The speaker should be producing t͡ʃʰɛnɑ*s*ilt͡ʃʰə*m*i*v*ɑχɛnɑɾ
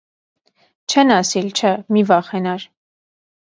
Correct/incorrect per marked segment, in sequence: correct, correct, correct

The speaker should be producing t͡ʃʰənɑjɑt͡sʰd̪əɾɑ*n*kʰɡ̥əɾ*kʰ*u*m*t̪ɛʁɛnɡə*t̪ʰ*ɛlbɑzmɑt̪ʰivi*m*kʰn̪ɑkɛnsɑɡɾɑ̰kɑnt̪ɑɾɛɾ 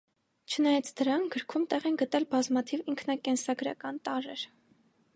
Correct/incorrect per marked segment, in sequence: incorrect, correct, correct, incorrect, incorrect

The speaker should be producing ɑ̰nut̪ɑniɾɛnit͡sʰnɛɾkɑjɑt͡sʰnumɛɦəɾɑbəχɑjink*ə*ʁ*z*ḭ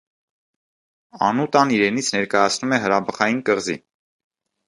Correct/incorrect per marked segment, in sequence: correct, correct

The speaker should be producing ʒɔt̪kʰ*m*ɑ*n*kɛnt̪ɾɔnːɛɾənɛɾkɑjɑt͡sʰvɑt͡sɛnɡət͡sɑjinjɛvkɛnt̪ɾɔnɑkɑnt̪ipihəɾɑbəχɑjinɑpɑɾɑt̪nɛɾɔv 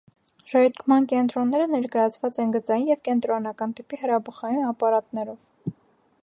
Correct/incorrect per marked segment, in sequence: correct, correct

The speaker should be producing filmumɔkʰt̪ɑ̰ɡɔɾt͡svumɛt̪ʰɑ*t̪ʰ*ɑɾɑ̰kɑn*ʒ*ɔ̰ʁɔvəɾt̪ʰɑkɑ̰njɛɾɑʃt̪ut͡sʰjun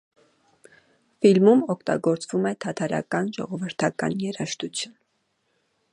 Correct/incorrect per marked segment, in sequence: correct, correct

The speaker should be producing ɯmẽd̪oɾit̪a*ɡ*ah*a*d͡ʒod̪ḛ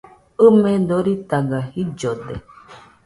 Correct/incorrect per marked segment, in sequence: correct, incorrect

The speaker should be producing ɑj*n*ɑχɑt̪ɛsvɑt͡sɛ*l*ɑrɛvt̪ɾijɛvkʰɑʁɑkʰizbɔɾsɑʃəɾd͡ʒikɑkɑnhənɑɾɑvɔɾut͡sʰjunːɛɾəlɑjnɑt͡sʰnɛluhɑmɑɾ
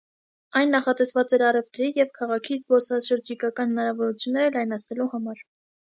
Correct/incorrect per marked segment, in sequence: incorrect, incorrect

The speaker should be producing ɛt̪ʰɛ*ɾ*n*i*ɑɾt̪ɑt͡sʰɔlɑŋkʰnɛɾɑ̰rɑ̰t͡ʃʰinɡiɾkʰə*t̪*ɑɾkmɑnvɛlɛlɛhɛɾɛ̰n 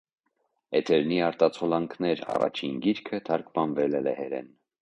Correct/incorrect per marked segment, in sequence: correct, correct, incorrect

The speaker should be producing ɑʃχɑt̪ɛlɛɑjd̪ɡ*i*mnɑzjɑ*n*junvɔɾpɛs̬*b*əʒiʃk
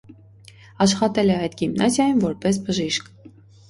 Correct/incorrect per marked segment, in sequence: correct, incorrect, correct

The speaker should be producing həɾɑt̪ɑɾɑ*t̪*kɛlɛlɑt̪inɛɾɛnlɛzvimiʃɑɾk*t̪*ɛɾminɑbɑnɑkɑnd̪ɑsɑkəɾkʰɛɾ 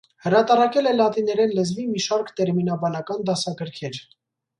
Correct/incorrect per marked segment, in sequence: incorrect, correct

